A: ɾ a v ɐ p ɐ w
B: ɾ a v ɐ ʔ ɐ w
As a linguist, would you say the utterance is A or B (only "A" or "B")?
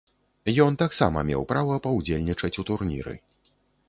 A